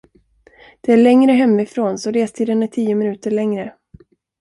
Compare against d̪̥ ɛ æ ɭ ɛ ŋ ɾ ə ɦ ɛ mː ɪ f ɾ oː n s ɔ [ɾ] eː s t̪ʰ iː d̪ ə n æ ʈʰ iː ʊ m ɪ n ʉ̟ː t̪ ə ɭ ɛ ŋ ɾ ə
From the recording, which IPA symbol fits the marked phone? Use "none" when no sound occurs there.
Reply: ɾ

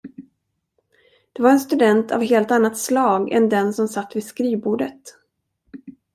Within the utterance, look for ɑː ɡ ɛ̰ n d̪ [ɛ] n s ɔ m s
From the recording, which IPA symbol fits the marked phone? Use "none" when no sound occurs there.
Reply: ɛ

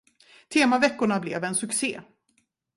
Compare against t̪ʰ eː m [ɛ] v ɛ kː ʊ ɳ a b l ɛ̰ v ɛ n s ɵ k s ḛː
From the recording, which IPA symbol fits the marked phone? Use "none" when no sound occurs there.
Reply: a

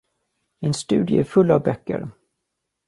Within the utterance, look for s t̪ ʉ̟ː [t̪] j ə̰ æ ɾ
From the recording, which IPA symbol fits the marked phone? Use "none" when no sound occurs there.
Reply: d̪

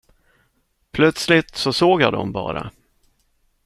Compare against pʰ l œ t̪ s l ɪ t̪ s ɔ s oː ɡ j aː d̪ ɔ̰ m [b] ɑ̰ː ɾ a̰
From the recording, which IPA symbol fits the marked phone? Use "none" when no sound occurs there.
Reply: b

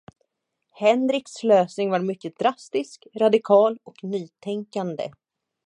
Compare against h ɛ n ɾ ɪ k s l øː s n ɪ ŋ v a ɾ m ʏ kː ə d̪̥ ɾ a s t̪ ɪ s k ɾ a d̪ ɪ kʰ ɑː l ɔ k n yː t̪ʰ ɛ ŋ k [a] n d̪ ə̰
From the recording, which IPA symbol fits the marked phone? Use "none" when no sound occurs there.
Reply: a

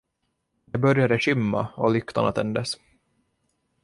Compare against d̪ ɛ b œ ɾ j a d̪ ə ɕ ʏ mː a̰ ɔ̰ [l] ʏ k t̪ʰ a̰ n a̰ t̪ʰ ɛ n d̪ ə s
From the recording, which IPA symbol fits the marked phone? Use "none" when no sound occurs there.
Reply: l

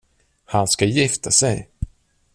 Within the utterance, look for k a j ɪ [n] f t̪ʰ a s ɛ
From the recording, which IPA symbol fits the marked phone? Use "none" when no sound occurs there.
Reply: none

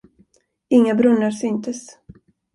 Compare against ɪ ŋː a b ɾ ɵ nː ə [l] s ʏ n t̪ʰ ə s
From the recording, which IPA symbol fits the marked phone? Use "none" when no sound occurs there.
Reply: ɾ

